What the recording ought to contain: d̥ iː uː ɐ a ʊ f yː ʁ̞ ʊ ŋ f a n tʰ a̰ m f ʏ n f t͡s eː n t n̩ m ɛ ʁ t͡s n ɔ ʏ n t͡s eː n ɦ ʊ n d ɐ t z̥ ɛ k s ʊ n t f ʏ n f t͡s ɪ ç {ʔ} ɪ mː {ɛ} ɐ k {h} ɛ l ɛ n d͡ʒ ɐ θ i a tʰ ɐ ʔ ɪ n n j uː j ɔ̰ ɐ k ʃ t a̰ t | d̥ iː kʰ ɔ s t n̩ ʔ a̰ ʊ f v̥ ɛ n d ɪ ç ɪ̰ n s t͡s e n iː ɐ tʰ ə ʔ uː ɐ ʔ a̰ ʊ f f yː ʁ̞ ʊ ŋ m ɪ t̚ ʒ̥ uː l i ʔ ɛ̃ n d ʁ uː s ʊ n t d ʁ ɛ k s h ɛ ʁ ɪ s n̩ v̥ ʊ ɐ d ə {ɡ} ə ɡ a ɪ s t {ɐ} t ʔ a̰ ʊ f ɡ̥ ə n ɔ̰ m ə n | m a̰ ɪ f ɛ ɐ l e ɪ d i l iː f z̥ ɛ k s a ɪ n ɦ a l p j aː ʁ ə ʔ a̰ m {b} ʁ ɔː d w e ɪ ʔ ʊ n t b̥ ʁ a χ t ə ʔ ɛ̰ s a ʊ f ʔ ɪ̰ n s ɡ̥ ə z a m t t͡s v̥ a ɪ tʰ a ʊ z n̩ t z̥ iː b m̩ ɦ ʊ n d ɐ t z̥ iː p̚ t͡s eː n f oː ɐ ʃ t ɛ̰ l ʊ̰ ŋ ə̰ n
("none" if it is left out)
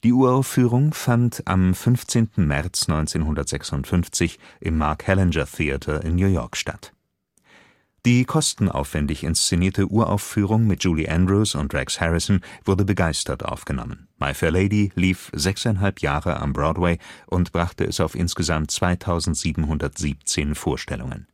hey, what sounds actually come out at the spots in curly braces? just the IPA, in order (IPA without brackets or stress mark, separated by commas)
ʔ, a, h, b, ɐ, b